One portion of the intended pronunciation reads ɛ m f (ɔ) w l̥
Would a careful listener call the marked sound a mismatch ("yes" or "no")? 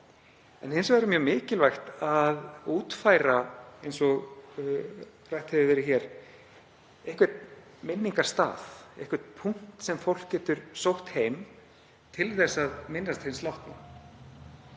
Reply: yes